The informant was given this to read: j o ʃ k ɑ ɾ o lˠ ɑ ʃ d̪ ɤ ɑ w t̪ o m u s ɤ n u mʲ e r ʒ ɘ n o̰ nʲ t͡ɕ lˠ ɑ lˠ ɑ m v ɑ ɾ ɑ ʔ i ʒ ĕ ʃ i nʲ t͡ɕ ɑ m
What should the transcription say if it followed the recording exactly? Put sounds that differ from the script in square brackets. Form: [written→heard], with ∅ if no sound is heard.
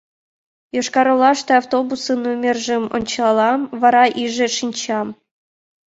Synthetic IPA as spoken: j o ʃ k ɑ ɾ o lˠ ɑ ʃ [d̪→t̪] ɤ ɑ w t̪ o [m→b] u s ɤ n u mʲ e r ʒ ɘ [n→m] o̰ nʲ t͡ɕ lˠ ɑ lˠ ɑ m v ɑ ɾ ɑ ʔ i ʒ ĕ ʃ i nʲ t͡ɕ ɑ m